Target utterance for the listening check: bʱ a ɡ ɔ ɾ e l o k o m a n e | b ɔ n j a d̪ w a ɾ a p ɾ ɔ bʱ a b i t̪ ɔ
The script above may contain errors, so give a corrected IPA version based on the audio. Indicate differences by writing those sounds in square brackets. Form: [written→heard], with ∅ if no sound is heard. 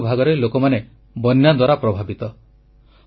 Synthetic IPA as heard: bʱ a ɡ ɔ ɾ e l o k [o→ɔ] m a n e | b ɔ n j a d̪ w a ɾ a p ɾ ɔ bʱ a b i t̪ ɔ